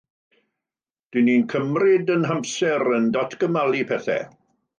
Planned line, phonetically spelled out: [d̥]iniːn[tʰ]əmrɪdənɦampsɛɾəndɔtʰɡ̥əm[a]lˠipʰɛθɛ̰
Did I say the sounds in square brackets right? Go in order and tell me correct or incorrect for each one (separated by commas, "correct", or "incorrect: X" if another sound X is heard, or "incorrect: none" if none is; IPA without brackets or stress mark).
correct, incorrect: kʰ, correct